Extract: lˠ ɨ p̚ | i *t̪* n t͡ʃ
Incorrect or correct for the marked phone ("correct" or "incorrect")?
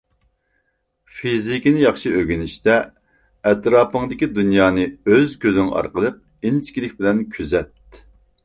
incorrect